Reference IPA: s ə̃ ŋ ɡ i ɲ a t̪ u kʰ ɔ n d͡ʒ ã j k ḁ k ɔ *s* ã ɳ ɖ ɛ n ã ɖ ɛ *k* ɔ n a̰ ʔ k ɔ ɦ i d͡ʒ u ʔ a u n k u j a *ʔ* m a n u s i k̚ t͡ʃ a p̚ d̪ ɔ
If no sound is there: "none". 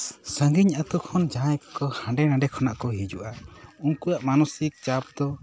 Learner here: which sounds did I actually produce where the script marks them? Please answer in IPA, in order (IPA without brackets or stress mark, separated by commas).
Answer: h, kʰ, ʔ